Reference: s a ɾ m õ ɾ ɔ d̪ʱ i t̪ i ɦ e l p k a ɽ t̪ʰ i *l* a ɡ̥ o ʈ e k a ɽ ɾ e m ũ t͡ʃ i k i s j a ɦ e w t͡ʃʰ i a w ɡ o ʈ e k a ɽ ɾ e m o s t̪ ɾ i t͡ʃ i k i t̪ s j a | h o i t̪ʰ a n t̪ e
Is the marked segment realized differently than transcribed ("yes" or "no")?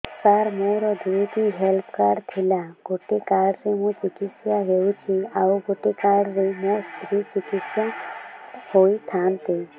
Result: no